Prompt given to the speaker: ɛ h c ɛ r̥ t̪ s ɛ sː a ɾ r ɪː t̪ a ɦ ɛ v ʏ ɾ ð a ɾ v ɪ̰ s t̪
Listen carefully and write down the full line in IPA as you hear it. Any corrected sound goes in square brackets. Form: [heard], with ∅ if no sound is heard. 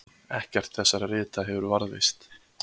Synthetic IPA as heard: ɛ h c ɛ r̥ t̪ [θ] ɛ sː a ɾ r ɪː t̪ a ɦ ɛ v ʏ ɾ [v] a ɾ [ð] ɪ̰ s t̪